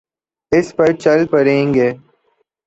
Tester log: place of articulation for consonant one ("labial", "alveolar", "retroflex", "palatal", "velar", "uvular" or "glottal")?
alveolar